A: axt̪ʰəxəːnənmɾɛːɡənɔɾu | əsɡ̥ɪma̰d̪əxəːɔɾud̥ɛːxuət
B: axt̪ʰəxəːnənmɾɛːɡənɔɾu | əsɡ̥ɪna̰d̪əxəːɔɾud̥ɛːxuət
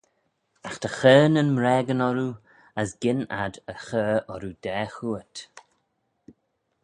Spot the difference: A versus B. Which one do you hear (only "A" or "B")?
B